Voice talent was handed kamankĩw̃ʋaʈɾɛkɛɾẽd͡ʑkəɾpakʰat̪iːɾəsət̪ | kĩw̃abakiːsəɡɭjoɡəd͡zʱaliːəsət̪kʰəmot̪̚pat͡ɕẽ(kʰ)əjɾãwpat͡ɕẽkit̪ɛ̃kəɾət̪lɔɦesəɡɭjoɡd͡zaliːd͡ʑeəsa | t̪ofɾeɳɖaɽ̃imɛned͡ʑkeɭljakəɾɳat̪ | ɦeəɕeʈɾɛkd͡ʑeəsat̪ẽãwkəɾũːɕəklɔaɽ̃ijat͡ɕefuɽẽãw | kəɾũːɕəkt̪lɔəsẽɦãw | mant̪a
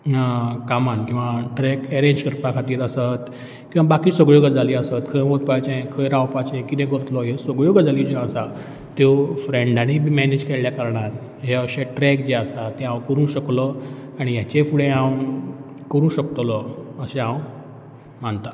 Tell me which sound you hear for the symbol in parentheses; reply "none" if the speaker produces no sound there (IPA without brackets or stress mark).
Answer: kʰ